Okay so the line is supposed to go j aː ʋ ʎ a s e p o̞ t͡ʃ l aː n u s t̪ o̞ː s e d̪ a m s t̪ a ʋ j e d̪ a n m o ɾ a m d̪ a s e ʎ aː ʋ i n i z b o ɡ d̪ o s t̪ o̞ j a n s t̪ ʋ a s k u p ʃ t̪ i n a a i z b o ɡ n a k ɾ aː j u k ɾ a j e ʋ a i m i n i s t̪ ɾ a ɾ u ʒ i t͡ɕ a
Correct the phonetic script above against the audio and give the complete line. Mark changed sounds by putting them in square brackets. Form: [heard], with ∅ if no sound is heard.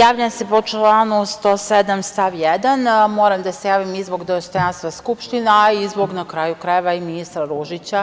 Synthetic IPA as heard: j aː ʋ ʎ a s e p o̞ t͡ʃ l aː n u s t̪ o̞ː s e d̪ a m s t̪ a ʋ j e d̪ a n m o ɾ a m d̪ a s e [j] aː ʋ i [m] i z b o ɡ d̪ o s t̪ o̞ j a n s t̪ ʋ a s k u p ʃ t̪ i n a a i z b o ɡ n a k ɾ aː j u k ɾ a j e ʋ a i m i n i s t̪ ɾ a ɾ u ʒ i t͡ɕ a